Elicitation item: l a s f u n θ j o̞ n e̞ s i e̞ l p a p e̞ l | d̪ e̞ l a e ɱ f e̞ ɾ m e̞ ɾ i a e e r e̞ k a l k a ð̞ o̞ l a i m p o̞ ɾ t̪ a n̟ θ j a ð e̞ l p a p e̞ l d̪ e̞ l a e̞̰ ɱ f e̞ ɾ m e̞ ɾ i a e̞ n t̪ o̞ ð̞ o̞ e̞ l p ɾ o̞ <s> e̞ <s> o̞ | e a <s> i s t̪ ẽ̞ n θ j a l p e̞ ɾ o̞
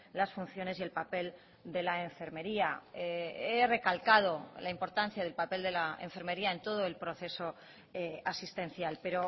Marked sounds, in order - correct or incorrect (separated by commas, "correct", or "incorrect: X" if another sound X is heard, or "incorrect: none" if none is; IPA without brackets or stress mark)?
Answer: incorrect: θ, correct, correct